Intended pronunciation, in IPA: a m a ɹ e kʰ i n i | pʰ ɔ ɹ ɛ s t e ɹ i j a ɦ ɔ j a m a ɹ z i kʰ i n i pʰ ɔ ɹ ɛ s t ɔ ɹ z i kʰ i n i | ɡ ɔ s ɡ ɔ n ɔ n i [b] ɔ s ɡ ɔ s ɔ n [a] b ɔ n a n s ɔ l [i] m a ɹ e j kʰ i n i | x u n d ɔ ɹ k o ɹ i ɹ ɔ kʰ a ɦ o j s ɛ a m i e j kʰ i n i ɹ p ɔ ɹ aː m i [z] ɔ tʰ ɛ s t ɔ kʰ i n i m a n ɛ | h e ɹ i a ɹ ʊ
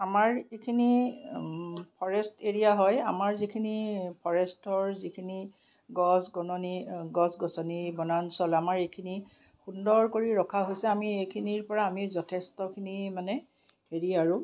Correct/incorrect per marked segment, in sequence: incorrect, incorrect, incorrect, correct

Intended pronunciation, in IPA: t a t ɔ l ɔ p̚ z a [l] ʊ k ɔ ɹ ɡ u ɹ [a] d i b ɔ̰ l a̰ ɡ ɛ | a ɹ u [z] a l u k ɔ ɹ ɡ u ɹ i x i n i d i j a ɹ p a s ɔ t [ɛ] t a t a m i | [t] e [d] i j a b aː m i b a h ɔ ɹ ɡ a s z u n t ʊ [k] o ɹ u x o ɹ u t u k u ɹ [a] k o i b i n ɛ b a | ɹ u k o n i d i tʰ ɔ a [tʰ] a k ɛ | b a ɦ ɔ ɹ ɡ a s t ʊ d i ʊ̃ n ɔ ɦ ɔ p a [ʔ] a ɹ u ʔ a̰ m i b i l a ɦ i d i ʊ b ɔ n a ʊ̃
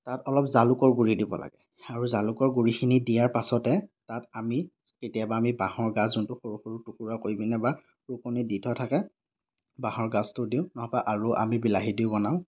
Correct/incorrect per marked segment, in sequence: correct, incorrect, correct, correct, incorrect, incorrect, incorrect, correct, correct, correct

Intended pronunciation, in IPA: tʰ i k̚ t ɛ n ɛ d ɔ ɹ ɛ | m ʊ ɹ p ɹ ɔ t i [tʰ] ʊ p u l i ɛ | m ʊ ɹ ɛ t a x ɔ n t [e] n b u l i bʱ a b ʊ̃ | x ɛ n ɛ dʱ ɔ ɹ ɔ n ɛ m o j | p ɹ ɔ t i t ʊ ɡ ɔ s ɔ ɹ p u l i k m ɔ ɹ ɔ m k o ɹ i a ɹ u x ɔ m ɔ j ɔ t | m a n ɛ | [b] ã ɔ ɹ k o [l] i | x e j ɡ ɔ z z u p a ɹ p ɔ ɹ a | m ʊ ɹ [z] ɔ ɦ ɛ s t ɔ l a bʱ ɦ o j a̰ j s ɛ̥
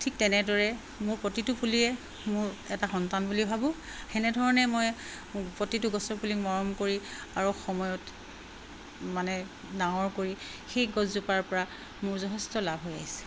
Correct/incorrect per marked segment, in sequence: incorrect, incorrect, incorrect, incorrect, correct

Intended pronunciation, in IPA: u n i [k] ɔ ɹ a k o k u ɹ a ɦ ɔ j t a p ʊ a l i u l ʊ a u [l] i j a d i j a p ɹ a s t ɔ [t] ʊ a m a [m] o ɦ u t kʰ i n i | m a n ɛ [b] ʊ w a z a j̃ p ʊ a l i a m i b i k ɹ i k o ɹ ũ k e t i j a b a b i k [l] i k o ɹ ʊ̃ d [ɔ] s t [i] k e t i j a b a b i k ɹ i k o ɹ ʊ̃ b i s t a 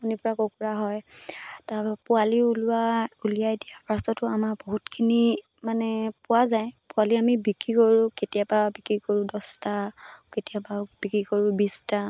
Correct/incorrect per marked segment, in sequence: incorrect, correct, correct, incorrect, incorrect, incorrect, correct, incorrect

